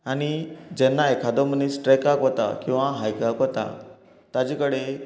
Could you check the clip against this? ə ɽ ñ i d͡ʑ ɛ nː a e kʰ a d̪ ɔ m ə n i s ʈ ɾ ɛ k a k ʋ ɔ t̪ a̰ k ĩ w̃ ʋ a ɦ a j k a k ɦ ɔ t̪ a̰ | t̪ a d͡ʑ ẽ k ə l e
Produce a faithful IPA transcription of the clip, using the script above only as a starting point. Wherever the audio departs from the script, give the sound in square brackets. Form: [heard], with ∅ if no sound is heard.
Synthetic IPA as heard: [a] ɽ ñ i d͡ʑ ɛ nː a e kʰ a d̪ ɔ m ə n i s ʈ ɾ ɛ k a k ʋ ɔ t̪ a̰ k ĩ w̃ ʋ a ɦ a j k a k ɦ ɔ t̪ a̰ | t̪ a d͡ʑ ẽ k ə [ɽ] e